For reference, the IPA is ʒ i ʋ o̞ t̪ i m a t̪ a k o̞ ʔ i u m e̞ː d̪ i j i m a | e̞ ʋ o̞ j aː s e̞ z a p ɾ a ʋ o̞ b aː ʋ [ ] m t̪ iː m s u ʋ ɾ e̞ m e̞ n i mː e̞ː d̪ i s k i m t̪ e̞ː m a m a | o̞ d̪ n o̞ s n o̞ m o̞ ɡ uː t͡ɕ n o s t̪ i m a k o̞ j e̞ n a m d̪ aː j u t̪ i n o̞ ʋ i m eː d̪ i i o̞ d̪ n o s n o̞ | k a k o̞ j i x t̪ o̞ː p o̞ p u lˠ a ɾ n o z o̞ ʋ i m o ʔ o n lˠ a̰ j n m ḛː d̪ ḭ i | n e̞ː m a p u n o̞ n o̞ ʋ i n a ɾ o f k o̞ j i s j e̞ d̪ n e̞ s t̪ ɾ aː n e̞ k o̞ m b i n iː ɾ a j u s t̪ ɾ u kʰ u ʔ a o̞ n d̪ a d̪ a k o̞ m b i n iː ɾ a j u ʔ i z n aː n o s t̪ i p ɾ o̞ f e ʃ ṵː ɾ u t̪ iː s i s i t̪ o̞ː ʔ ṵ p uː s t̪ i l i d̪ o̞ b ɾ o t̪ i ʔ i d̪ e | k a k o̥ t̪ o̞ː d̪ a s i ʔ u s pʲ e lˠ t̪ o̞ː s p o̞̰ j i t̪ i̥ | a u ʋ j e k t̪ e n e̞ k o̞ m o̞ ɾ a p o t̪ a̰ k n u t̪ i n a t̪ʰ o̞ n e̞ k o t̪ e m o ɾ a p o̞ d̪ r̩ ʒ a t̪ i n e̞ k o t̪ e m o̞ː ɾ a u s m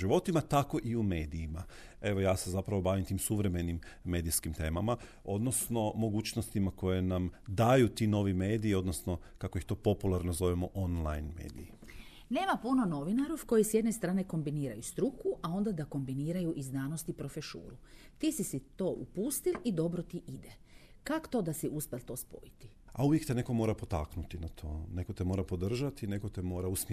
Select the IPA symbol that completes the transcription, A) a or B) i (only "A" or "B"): B